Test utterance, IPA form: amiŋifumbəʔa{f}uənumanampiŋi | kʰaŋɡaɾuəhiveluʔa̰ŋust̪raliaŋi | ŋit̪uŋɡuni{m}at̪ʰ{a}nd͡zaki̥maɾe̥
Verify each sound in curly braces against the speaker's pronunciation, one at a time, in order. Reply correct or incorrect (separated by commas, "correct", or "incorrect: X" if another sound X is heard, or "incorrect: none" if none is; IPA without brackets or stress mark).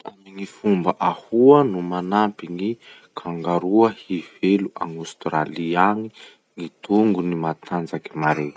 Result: incorrect: h, correct, correct